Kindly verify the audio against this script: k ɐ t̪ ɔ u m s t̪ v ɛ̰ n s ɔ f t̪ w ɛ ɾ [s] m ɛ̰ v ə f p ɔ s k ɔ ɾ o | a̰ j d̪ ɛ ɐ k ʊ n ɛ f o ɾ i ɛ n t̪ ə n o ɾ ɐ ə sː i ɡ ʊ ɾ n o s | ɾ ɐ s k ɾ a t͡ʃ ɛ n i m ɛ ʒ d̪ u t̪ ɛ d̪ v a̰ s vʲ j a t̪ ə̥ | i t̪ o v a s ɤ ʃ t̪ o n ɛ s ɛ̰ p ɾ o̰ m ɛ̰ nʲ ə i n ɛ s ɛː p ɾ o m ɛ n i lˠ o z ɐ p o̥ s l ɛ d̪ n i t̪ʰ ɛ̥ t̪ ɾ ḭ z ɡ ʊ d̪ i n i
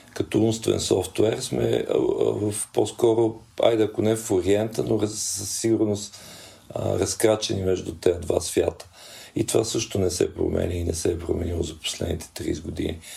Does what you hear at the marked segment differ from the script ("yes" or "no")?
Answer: no